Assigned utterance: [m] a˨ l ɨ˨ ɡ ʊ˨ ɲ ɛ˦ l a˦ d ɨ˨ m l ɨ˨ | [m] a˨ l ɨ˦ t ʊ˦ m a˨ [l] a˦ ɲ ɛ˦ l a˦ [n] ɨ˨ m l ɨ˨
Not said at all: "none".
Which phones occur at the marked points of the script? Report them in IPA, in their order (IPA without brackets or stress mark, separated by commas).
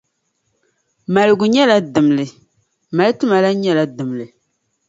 m, m, l, d